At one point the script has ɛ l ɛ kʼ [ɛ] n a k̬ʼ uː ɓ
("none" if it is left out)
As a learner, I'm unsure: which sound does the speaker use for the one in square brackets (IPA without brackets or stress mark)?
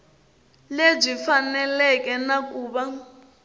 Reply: ɛ